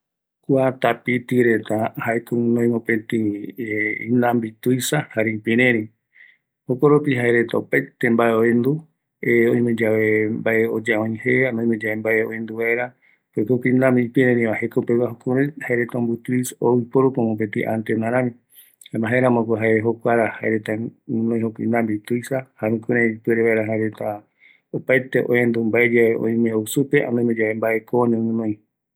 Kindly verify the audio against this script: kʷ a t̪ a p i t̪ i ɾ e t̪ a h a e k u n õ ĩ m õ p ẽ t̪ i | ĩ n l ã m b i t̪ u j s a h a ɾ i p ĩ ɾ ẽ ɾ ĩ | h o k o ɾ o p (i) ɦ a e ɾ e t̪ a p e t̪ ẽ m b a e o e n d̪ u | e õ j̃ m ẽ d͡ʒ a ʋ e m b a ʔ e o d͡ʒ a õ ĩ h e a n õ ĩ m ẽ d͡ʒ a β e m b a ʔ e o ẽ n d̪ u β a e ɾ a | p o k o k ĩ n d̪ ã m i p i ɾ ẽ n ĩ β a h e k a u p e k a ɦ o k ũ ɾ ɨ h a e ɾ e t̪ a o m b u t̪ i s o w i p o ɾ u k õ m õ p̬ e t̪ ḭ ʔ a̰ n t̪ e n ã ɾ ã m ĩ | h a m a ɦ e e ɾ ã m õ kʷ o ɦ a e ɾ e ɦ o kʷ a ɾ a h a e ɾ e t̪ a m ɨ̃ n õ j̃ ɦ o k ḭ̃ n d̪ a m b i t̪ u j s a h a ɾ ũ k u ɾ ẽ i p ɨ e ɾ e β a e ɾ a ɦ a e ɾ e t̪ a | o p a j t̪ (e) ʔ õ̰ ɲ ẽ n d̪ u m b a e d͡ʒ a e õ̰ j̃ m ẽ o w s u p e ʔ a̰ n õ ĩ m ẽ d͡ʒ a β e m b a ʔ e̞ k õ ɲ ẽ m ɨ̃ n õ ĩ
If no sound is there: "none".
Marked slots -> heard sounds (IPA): i, e

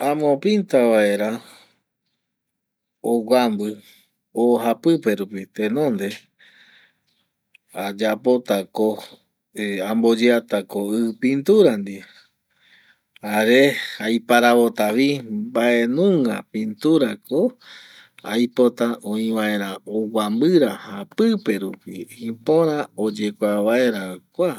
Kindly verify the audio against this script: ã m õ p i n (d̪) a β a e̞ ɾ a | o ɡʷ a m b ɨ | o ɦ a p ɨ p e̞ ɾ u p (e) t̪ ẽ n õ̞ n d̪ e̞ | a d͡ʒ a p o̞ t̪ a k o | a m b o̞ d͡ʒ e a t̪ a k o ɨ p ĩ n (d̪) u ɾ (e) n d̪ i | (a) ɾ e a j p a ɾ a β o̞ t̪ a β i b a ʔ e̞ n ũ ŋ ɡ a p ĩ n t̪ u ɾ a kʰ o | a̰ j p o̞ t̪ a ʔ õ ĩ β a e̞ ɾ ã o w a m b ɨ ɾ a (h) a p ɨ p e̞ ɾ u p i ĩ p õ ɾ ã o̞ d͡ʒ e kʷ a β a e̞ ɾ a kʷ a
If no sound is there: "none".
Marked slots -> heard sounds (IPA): t̪, i, t̪, a, a, h

